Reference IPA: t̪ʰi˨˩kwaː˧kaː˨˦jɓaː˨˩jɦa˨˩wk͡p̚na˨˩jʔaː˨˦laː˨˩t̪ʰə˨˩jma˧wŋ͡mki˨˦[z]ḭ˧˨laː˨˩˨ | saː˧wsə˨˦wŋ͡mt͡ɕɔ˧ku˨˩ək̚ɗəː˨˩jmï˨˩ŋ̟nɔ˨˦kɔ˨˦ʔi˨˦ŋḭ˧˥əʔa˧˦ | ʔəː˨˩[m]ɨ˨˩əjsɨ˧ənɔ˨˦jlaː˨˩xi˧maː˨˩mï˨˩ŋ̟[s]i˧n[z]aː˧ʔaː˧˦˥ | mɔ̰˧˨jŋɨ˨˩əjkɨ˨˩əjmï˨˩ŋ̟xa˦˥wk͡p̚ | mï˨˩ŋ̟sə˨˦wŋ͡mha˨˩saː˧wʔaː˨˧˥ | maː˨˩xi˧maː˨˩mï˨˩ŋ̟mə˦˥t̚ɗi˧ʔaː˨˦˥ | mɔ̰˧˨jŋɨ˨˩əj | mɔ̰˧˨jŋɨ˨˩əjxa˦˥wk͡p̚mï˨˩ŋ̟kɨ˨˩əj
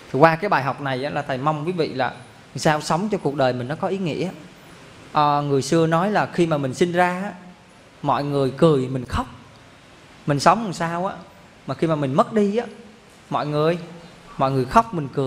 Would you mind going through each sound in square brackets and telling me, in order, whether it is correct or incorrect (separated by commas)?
incorrect, incorrect, correct, correct